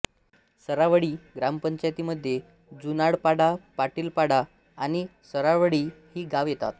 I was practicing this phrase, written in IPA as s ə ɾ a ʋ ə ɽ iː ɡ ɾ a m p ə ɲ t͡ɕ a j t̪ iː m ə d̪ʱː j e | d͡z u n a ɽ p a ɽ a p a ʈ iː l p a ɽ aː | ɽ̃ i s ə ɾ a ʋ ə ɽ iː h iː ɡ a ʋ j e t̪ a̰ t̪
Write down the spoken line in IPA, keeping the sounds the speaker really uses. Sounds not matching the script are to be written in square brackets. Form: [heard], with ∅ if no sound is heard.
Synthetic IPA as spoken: s ə ɾ a ʋ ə ɽ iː ɡ ɾ a m p ə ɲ t͡ɕ a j t̪ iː m ə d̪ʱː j e | d͡z u n a ɽ p a ɽ a p a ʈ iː l p a ɽ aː | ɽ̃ i s ə ɾ a ʋ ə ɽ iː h iː ɡ a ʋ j e t̪ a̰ t̪